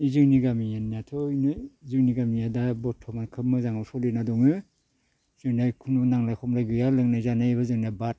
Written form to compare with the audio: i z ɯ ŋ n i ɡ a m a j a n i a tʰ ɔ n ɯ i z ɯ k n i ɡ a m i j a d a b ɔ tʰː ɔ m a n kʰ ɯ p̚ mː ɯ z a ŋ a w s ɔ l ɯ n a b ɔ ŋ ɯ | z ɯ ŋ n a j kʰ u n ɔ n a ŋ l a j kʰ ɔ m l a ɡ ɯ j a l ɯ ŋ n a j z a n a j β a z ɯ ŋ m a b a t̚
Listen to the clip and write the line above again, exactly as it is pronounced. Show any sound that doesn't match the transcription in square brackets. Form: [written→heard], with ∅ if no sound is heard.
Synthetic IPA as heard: i z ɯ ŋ n i ɡ a m [a→i] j a n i a tʰ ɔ n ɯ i z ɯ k n i ɡ a m i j a d a b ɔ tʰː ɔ m a n kʰ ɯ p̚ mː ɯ z a ŋ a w s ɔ l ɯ n a [b→d] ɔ ŋ ɯ | z ɯ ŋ n a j kʰ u n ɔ n a ŋ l a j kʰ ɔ m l a ɡ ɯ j a l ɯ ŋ n a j z a n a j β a z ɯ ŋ [m→n] a b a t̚